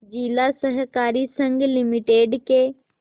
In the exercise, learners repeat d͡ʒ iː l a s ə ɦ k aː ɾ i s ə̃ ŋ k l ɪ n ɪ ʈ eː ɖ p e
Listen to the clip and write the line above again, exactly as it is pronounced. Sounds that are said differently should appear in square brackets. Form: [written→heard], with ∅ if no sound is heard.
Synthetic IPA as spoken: d͡ʒ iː l a s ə ɦ k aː ɾ i s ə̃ ŋ [k→ɡ] l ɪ [n→m] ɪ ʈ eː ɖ [p→k] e